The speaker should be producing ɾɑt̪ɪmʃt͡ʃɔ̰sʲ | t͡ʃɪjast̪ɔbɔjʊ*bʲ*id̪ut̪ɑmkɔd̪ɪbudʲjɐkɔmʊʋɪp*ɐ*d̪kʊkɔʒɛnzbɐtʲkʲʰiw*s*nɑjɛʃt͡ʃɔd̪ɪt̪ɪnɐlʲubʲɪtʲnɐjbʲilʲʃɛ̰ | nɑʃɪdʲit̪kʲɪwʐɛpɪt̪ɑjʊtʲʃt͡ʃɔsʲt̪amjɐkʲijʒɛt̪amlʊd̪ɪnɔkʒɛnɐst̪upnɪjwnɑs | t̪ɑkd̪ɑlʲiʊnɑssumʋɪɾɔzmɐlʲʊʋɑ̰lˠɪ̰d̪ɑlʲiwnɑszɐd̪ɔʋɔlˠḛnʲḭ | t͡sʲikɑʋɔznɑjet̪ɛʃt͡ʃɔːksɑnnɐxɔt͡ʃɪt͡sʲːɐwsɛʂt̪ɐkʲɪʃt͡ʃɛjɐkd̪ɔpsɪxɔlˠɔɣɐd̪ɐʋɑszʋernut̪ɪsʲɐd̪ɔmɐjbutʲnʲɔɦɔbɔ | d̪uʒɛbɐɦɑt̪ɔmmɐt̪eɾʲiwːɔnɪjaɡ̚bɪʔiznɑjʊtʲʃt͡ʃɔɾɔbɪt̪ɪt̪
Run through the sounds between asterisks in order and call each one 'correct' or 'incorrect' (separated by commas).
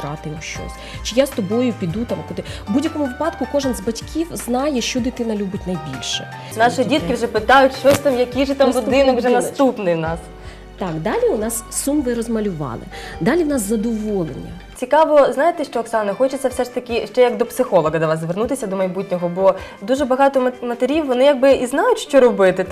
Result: incorrect, incorrect, incorrect